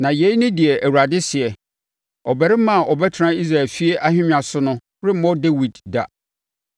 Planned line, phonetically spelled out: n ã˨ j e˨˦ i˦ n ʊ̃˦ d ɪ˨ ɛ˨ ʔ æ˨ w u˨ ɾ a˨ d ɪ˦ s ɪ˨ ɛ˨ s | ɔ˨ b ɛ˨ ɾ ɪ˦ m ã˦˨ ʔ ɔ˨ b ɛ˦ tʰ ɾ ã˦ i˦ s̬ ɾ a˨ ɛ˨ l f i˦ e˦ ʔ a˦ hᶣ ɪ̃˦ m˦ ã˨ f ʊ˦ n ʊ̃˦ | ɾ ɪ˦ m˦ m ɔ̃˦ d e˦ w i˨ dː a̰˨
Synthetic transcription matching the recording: n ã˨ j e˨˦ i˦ n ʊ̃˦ d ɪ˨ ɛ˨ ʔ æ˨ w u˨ ɾ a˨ d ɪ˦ s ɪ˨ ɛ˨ | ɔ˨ b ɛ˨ ɾ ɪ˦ m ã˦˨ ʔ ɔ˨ b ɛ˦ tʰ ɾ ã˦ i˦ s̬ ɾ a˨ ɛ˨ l f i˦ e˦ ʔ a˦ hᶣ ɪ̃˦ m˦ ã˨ s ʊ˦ n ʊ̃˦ | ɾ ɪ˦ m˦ m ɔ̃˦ d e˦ w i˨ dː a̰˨